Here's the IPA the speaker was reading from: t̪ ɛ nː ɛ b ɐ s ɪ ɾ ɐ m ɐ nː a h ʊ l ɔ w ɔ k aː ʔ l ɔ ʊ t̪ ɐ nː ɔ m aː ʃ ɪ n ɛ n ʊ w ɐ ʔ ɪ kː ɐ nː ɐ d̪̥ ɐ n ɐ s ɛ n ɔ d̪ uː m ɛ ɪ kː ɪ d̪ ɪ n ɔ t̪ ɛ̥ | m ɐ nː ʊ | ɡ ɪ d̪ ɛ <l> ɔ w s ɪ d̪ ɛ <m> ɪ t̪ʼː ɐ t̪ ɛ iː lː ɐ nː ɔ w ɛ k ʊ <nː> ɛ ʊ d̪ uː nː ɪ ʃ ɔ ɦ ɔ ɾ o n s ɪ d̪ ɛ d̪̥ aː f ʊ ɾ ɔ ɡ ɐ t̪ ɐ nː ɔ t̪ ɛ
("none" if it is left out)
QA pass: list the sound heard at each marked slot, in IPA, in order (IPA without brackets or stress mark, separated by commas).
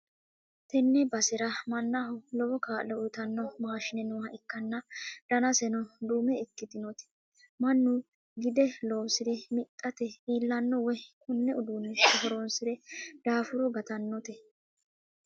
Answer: l, m, nː